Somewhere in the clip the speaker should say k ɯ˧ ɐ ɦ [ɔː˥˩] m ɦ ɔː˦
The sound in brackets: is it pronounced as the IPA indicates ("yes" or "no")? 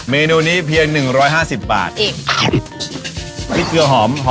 no